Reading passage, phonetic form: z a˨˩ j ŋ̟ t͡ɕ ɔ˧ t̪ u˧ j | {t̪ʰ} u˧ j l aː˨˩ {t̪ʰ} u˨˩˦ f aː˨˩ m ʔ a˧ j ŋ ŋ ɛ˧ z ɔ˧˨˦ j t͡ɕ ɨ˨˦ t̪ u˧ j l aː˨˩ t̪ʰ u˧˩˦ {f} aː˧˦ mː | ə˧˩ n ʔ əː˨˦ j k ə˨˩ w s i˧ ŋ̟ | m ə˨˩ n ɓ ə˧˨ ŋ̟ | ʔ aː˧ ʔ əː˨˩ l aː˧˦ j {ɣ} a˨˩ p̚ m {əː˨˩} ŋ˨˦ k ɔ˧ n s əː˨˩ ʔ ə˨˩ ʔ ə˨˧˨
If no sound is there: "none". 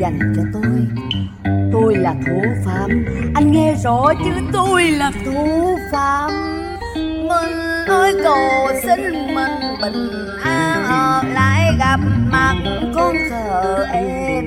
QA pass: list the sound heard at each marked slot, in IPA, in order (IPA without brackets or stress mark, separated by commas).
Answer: t̪, t̪ʰ, f, ɣ, aː˨˩